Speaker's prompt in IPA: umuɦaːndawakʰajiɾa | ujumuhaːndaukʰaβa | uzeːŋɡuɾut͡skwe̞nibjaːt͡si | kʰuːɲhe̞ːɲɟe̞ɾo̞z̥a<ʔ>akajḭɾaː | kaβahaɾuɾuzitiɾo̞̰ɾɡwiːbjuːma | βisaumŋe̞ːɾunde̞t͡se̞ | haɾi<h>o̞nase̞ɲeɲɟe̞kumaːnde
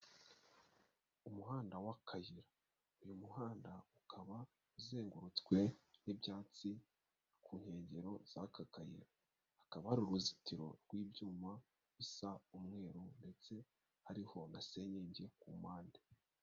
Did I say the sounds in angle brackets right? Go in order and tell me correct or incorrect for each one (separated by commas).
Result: incorrect, correct